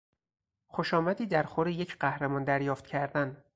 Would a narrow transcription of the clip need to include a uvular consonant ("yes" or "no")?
yes